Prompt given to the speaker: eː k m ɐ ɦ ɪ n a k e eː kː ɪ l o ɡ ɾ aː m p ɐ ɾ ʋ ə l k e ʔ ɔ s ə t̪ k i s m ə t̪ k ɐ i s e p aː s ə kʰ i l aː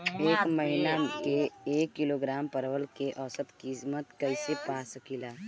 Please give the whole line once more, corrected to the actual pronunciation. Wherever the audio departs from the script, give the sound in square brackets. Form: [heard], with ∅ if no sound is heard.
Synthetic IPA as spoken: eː k m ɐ ɦ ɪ n a k e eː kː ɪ l o ɡ ɾ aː m p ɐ ɾ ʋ ə l k e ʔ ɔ s ə t̪ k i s m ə t̪ k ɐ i s e p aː s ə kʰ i l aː